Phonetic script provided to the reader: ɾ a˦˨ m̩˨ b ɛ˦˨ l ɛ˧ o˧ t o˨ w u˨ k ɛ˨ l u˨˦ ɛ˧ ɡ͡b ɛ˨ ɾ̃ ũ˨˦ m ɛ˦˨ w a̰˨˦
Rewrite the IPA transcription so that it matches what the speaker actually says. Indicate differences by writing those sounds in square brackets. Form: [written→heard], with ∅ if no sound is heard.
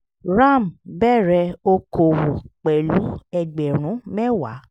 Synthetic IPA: ɾ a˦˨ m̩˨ b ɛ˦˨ [l→ɾ] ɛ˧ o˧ [t→k] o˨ w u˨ [k→k͡p] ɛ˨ l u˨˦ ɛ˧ ɡ͡b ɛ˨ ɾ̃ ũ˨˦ m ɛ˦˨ w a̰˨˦